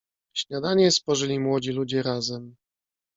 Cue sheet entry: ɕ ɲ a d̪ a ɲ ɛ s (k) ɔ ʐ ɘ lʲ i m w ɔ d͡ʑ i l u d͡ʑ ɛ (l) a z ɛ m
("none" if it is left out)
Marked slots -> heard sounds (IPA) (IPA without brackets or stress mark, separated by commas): p, ɾ